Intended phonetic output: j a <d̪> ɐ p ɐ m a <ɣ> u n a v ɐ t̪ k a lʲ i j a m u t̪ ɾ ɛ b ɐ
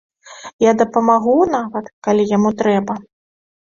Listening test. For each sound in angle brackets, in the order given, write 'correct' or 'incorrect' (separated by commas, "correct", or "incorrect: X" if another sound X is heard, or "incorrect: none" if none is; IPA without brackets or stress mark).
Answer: correct, correct